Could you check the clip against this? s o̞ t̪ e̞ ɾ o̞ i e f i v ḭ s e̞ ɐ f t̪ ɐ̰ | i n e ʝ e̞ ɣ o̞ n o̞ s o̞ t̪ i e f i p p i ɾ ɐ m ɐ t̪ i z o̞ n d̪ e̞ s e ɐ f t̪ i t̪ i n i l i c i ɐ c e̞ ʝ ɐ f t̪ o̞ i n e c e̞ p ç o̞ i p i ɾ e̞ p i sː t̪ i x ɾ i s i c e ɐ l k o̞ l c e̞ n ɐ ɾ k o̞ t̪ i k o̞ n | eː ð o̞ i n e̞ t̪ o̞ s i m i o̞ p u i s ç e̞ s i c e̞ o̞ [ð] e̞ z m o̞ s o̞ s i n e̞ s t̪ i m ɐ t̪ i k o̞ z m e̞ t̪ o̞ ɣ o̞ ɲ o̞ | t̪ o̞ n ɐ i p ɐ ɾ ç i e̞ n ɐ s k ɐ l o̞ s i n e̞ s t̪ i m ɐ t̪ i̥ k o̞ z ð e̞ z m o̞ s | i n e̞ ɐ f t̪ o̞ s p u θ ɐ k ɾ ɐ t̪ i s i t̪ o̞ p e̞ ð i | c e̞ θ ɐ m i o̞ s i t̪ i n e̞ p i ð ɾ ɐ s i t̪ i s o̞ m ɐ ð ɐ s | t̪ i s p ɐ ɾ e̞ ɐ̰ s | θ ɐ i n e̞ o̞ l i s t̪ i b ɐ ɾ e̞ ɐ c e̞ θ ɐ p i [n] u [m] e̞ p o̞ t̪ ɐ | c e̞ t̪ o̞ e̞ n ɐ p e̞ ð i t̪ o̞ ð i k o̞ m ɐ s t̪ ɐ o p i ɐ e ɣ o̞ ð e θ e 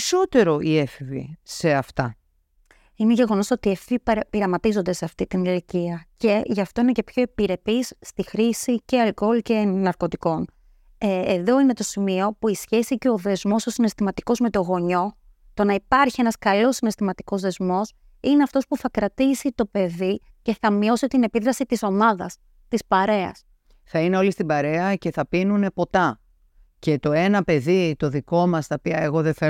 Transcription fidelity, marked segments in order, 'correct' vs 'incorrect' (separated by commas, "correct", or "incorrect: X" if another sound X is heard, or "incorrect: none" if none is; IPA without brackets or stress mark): correct, correct, incorrect: n